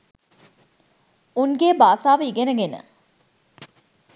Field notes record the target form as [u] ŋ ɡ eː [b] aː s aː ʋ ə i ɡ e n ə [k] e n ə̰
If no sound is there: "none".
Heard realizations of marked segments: u, b, ɡ

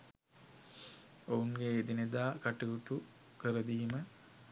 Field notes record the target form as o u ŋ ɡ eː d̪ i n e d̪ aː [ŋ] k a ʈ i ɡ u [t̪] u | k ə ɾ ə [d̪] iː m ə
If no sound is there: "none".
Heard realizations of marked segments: none, t̪, d̪

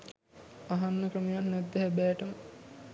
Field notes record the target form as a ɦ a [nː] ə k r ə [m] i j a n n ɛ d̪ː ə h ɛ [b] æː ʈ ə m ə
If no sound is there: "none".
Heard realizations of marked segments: nː, m, b

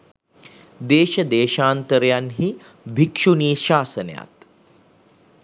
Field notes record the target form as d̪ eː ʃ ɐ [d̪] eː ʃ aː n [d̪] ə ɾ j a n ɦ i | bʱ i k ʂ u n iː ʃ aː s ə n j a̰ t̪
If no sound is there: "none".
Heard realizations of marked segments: d̪, t̪

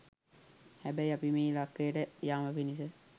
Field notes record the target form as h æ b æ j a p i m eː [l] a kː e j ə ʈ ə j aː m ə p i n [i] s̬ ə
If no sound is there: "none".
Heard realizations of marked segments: l, i

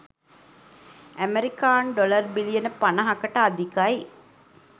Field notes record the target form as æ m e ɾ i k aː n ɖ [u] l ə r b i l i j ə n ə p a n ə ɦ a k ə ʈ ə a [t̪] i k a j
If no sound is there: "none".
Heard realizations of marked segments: o, d̪

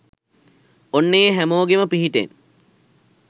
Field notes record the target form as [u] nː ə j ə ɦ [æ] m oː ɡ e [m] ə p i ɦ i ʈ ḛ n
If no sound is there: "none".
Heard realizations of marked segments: o, æ, m

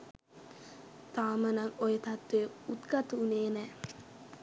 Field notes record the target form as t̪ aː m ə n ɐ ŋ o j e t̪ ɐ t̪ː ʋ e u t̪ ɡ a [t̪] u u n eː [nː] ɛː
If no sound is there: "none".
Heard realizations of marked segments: t̪, n

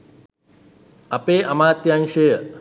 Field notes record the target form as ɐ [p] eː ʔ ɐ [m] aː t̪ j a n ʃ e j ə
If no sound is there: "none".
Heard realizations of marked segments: p, m

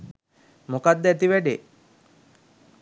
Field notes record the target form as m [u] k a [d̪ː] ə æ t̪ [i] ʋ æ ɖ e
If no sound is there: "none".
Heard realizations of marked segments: o, d̪ː, i

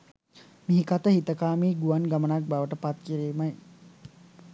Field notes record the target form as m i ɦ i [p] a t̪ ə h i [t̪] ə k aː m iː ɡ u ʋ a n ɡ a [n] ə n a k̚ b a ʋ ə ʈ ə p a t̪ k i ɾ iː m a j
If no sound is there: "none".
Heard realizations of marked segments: k, t̪, m

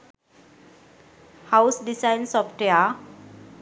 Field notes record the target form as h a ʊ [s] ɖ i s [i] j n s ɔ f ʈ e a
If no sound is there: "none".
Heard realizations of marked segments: s, a

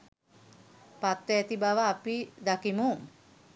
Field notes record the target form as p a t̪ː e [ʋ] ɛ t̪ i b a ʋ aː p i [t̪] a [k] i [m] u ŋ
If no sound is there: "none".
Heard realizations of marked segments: none, d̪, k, m

